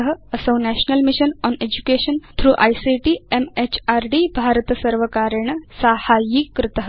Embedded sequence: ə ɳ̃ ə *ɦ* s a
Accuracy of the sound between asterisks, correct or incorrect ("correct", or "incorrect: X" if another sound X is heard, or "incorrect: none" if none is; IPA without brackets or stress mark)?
incorrect: none